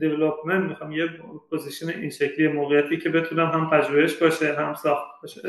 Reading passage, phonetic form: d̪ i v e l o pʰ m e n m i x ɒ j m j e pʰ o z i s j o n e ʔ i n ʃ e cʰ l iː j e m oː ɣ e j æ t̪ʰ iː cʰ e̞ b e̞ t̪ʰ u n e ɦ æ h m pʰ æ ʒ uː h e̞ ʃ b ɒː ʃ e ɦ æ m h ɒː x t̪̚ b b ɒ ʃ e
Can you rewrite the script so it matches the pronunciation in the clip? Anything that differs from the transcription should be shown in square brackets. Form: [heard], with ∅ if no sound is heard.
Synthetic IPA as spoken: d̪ [e] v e l o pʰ m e n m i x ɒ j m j e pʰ o z i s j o n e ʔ i n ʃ e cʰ l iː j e m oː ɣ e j æ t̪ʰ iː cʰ e̞ b e̞ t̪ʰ u n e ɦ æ [∅] m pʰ æ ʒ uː h e̞ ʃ b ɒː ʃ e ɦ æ m [s] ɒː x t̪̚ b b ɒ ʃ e